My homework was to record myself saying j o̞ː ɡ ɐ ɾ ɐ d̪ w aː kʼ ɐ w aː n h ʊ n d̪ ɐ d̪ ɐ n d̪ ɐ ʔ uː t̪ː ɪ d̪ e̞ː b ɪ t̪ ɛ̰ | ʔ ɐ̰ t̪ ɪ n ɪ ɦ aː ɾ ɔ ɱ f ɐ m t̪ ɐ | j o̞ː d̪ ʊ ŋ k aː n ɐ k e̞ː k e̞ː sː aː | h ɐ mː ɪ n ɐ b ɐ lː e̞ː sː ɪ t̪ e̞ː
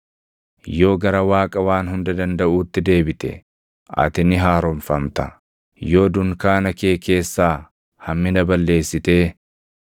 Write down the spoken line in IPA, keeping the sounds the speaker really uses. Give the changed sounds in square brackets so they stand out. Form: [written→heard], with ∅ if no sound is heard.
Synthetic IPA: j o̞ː ɡ ɐ ɾ ɐ [d̪→∅] w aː kʼ ɐ w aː n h ʊ n d̪ ɐ d̪ ɐ n d̪ ɐ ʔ uː t̪ː ɪ d̪ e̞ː b ɪ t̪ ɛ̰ | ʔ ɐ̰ t̪ ɪ n ɪ ɦ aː ɾ ɔ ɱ f ɐ m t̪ ɐ | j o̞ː d̪ ʊ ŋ k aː n ɐ k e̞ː k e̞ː sː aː | h ɐ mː ɪ n ɐ b ɐ lː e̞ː sː ɪ t̪ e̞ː